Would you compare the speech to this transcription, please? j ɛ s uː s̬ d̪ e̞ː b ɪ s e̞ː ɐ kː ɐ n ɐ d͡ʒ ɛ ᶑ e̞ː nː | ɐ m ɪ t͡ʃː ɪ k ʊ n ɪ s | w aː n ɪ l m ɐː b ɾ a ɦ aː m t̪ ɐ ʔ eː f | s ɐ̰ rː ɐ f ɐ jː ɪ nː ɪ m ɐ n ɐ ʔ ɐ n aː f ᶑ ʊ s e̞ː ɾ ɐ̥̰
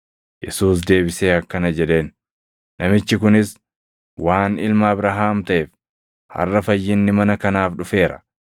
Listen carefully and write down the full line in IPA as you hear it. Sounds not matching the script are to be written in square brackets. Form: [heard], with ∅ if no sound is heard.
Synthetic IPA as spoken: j ɛ s uː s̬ d̪ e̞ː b ɪ s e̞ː ɐ kː ɐ n ɐ d͡ʒ ɛ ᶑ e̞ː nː | ɐ m ɪ t͡ʃː ɪ k ʊ n ɪ s | w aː n ɪ l m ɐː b ɾ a ɦ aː m t̪ ɐ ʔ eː f | [h] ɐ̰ rː ɐ f ɐ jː ɪ nː ɪ m ɐ n ɐ [k] ɐ n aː f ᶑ ʊ [f] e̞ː ɾ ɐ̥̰